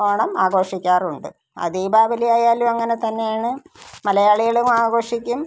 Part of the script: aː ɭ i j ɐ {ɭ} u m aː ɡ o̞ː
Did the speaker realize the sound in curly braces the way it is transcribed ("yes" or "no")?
yes